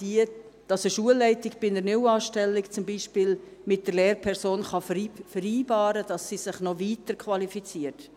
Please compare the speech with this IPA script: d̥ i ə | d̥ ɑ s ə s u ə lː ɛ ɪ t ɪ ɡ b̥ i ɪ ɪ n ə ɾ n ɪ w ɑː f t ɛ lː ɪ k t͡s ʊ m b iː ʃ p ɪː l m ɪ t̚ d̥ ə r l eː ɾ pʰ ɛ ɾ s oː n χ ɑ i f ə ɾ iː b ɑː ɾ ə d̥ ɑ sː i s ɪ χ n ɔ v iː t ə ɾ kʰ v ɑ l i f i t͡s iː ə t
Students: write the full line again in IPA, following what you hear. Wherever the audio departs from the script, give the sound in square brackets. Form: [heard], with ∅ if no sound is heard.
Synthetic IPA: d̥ i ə | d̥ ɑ s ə [ʃ] u ə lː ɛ ɪ t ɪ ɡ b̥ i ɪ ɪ n ə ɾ n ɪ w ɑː [ʃ] t ɛ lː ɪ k t͡s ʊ m b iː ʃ p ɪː l m ɪ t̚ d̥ ə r l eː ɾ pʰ ɛ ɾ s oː n χ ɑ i f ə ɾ iː b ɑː ɾ ə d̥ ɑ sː i s ɪ χ n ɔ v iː t ə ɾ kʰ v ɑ l i f i t͡s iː ə t